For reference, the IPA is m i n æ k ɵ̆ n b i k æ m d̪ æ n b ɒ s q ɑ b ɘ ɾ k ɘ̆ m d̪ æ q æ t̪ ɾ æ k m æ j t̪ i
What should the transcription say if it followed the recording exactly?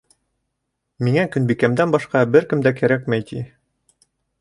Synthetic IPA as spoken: m i ŋ æ k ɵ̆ n b i k æ m d̪ æ n b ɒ ʃ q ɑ b ɘ ɾ k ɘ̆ m d̪ æ k æ ɾ æ k m æ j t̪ i